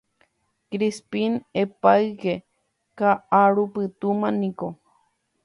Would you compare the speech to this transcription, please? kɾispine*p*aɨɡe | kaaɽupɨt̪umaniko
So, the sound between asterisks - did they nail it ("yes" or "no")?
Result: yes